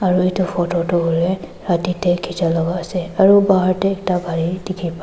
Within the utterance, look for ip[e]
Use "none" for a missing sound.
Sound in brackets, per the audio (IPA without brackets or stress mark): a